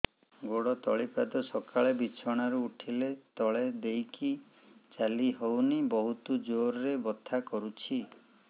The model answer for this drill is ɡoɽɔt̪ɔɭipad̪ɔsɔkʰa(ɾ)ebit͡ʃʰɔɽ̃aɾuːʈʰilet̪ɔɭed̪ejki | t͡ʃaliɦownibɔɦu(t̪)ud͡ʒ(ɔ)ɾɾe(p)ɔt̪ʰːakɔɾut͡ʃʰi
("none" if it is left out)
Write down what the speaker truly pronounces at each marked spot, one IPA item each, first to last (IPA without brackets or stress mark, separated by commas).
ɭ, t̪, o, b